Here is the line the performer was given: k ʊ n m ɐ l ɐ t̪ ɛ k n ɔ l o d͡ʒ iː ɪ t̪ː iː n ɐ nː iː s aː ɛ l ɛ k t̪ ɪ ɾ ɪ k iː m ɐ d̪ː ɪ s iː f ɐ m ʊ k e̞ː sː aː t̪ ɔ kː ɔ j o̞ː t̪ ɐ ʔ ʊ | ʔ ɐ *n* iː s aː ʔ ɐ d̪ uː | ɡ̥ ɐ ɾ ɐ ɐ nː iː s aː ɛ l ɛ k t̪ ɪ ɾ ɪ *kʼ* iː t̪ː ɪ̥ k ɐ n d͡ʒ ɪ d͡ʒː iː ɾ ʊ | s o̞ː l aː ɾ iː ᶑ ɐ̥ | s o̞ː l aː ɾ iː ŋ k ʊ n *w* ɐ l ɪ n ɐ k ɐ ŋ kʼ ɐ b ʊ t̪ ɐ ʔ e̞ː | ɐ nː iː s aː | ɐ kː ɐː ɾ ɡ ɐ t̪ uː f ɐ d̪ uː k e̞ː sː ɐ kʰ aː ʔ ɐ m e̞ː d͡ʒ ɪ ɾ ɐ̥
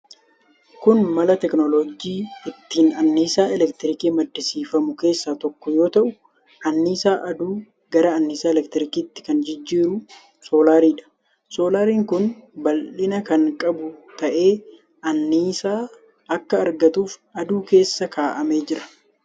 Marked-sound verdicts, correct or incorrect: incorrect: nː, incorrect: k, incorrect: b

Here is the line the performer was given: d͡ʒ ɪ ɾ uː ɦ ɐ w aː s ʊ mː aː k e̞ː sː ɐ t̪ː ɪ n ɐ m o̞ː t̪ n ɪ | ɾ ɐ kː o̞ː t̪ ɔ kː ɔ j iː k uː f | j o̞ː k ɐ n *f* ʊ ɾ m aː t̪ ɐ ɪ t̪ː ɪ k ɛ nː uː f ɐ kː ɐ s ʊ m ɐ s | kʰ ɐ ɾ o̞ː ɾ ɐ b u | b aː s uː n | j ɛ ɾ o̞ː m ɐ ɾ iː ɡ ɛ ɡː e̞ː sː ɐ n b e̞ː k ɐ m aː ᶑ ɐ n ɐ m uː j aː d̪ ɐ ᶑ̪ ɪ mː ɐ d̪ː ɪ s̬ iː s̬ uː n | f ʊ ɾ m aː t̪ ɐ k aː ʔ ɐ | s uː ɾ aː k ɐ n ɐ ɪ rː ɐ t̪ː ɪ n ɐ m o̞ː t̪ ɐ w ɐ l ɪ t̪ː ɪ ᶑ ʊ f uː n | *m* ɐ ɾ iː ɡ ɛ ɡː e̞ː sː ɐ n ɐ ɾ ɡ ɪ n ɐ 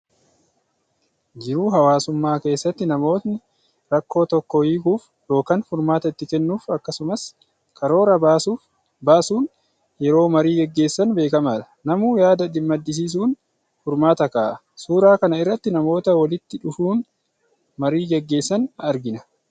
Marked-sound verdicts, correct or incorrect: correct, correct

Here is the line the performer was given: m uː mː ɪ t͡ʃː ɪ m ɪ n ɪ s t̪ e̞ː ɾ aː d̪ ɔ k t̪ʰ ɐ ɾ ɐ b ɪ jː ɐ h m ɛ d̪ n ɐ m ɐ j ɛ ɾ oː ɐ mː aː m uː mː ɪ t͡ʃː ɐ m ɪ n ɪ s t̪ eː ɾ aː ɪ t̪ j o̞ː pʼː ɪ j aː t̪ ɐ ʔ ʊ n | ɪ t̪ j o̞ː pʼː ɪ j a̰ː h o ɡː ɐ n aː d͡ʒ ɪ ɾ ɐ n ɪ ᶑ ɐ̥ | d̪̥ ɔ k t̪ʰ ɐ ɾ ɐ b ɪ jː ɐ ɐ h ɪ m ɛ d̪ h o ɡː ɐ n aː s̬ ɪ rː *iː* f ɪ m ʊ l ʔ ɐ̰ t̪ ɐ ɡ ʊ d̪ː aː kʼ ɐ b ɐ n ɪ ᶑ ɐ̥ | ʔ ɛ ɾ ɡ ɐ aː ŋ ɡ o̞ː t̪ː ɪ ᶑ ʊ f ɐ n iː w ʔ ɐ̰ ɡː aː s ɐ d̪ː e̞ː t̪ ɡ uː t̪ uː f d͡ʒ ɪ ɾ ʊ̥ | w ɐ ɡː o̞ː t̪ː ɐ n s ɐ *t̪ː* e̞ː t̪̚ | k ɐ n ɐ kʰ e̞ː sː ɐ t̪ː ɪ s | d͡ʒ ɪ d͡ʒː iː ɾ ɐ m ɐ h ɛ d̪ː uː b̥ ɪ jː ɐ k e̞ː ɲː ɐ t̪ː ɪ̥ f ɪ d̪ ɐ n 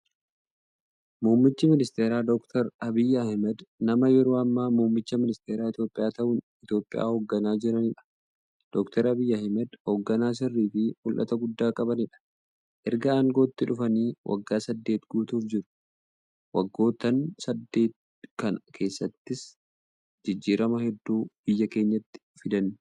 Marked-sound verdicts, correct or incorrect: correct, incorrect: d̪ː

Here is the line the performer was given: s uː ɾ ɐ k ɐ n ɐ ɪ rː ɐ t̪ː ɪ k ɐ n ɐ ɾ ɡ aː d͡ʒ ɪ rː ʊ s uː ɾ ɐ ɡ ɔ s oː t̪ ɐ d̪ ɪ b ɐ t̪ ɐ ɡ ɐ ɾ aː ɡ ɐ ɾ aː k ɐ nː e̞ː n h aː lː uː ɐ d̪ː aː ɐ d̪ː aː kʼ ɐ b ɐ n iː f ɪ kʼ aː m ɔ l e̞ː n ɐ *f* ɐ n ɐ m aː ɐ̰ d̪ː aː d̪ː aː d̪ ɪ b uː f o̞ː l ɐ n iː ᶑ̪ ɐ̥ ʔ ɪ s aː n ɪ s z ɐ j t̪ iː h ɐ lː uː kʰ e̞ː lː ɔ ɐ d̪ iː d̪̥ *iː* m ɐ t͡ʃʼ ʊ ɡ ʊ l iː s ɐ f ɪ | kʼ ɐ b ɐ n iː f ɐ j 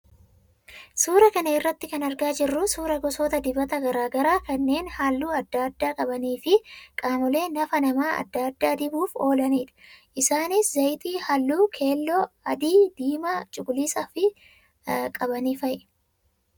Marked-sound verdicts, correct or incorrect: correct, correct

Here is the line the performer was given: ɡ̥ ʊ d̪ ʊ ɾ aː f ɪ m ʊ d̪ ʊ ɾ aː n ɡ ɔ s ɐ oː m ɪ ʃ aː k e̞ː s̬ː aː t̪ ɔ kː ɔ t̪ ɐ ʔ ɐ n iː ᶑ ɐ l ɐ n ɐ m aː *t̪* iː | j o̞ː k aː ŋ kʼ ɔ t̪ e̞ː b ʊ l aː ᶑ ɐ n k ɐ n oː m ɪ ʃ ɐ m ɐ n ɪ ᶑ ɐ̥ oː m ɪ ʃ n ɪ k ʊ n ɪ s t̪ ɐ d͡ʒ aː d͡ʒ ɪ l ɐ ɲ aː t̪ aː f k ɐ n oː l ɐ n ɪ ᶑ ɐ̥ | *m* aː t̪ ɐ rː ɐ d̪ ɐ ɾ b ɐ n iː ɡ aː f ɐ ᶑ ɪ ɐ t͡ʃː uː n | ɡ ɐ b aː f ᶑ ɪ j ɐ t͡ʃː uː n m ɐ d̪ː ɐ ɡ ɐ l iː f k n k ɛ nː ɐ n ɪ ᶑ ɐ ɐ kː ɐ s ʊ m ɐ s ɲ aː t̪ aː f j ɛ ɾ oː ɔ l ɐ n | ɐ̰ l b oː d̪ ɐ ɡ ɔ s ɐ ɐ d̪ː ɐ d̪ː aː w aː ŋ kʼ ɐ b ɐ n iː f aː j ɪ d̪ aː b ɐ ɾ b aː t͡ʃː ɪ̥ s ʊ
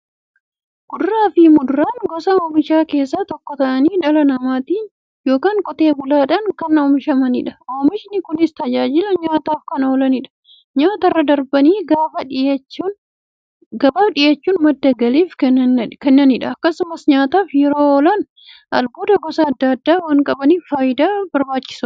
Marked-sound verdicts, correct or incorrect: correct, incorrect: ɲ

